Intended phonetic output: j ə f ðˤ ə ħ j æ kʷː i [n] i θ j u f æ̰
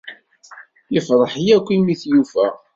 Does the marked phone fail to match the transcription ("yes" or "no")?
yes